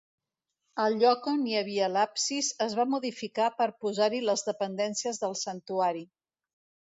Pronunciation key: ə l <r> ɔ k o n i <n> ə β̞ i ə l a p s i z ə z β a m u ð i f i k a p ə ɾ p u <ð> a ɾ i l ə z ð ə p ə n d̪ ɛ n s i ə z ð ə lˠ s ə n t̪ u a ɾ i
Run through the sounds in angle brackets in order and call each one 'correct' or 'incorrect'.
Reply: incorrect: ʎ, incorrect: none, incorrect: z

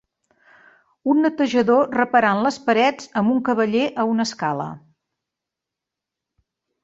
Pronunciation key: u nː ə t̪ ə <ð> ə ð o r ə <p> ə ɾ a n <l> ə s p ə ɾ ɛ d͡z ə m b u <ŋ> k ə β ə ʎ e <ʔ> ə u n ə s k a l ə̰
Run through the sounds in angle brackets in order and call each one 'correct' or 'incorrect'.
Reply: incorrect: ʒ, correct, correct, correct, correct

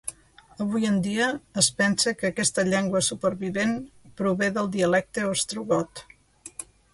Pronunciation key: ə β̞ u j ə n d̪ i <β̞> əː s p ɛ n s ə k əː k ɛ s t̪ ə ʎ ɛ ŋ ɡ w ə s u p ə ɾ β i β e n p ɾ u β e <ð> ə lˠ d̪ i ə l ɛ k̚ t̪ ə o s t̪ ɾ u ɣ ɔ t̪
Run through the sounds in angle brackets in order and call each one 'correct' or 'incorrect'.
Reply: incorrect: none, correct

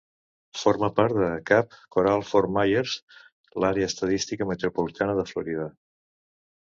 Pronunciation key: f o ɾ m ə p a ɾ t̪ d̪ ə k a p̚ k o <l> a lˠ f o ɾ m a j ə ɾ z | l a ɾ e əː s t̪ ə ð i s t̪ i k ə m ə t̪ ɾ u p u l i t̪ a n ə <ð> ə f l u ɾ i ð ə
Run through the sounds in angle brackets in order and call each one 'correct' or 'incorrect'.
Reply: incorrect: ɾ, correct

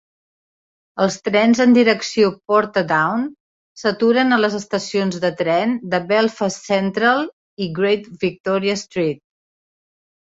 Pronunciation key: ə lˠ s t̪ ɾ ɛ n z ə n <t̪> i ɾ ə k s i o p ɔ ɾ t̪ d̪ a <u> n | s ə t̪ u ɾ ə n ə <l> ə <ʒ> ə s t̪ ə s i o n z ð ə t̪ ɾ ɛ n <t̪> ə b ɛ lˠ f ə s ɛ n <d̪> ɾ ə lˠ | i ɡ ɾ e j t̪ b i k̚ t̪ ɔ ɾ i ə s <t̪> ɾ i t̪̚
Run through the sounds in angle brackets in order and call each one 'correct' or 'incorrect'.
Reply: incorrect: d̪, incorrect: w, correct, incorrect: z, incorrect: d̪, incorrect: t̪, correct

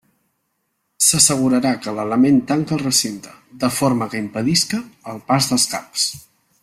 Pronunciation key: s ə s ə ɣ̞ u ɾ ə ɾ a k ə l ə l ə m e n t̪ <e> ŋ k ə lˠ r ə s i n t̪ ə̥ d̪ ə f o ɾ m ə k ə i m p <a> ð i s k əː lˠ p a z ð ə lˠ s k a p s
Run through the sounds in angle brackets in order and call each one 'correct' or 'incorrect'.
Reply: incorrect: a, incorrect: ə

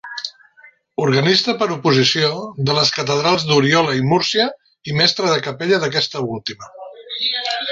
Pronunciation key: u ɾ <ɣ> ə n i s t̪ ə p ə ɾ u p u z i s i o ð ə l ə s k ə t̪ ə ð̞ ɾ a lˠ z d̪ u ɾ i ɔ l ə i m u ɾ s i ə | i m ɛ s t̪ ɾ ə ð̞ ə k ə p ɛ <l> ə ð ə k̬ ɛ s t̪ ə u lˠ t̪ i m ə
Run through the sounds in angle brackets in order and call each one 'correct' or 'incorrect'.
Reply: correct, incorrect: ʎ

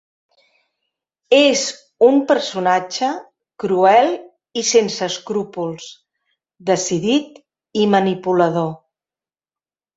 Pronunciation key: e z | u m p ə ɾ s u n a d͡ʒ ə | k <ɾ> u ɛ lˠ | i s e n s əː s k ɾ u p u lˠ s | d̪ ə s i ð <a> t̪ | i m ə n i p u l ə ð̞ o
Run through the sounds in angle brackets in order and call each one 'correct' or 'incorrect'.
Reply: correct, incorrect: i

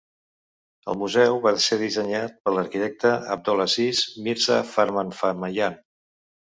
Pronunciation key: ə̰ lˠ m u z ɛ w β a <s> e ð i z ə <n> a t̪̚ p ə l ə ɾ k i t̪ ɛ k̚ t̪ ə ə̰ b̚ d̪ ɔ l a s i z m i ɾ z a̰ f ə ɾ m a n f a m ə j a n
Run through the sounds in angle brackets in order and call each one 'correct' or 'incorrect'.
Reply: correct, incorrect: ɲ

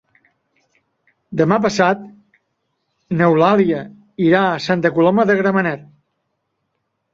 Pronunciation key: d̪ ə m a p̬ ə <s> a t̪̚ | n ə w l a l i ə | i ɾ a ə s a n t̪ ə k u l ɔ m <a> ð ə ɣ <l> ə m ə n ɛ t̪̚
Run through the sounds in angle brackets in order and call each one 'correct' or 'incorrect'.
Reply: correct, incorrect: ə, incorrect: ɾ

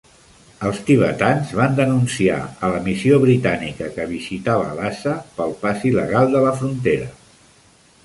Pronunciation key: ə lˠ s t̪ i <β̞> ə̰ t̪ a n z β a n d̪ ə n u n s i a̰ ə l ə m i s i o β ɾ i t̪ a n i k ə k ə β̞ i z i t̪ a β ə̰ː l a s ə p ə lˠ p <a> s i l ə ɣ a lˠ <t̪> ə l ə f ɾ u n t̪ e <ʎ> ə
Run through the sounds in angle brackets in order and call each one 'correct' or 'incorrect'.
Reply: correct, correct, incorrect: d̪, incorrect: ɾ

